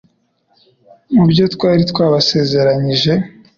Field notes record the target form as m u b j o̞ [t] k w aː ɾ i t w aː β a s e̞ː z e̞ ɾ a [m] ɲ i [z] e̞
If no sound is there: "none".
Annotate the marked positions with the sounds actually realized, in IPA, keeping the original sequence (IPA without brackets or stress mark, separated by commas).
t, none, ʒ